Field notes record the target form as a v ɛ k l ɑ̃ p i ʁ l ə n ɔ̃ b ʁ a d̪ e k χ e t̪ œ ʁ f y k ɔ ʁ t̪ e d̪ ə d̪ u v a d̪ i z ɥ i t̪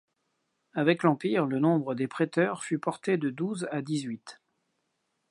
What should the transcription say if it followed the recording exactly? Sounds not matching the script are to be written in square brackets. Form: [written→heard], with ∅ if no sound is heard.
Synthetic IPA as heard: a v ɛ k l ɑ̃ p i ʁ l ə n ɔ̃ b ʁ [a→ə] d̪ e [k→p] χ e t̪ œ ʁ f y [k→p] ɔ ʁ t̪ e d̪ ə d̪ u [v→z] a d̪ i z ɥ i t̪